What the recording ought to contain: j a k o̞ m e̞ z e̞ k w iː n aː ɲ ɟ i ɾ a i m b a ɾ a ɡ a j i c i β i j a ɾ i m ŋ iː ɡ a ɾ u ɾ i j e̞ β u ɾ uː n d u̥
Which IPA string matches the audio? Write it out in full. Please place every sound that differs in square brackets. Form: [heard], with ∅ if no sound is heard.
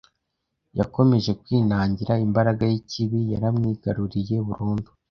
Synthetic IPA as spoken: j a k o̞ m e̞ [ʒ] e̞ k w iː n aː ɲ ɟ i ɾ a i m b a ɾ a ɡ a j i c i β i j a ɾ [a] m ŋ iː ɡ a ɾ u ɾ i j e̞ β u ɾ uː n d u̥